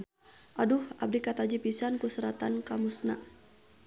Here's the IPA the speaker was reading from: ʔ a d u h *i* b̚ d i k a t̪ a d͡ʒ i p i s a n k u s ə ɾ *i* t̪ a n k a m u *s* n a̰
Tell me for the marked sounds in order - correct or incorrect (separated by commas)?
incorrect, incorrect, correct